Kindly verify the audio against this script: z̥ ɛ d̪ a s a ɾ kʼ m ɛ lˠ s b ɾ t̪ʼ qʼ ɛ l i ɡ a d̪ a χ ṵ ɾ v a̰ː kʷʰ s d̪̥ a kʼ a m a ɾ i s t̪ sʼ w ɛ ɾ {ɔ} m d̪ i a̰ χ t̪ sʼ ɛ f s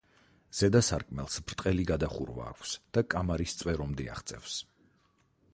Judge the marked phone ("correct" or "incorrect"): correct